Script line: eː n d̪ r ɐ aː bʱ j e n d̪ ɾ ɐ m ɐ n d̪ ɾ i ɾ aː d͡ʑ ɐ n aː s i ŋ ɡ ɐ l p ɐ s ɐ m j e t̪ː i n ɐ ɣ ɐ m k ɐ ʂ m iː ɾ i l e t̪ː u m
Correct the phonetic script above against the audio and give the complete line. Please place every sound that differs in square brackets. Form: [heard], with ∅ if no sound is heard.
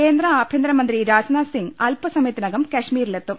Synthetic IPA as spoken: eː n d̪ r ɐ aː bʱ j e n d̪ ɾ ɐ m ɐ n d̪ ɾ i ɾ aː d͡ʑ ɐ n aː s i ŋ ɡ ɐ l p ɐ s ɐ m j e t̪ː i n ɐ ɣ ɐ m k ɐ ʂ m iː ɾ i l e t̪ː u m